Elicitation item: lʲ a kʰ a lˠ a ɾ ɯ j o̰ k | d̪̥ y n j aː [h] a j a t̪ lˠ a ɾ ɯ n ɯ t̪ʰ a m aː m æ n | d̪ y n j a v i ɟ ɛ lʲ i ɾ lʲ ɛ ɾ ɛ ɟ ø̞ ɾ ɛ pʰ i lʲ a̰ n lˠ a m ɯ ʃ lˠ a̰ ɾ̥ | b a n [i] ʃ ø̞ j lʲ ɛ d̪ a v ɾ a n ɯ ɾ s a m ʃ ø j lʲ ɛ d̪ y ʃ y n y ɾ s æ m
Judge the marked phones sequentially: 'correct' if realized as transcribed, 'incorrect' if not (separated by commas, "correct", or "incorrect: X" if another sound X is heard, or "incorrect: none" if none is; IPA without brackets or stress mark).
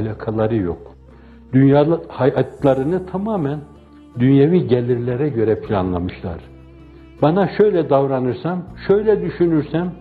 correct, incorrect: a